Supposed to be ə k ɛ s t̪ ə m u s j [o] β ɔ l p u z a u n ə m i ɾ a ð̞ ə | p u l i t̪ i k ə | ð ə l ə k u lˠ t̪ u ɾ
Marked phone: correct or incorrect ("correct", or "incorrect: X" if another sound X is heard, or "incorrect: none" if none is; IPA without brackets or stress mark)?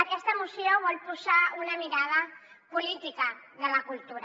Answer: correct